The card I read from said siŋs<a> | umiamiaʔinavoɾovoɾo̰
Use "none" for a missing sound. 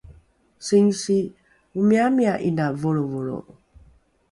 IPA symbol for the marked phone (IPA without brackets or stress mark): i